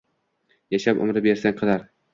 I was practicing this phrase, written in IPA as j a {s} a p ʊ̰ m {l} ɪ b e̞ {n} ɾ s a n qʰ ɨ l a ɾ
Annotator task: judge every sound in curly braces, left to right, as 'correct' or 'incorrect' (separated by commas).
incorrect, incorrect, incorrect